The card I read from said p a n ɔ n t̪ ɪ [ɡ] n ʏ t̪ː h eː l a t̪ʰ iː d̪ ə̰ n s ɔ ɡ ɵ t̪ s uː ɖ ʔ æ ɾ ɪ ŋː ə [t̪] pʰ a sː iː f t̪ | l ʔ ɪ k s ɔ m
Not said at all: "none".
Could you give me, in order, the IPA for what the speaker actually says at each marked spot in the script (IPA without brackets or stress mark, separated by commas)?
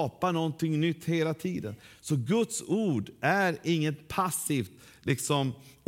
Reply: ŋ, t̪